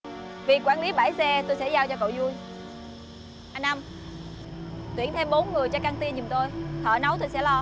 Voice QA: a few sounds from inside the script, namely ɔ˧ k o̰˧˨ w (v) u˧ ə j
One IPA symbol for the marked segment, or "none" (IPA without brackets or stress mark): z